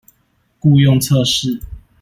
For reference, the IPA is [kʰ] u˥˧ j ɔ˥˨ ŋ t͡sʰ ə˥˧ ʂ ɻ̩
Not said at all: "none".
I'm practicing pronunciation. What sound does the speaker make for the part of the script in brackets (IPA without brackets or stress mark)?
k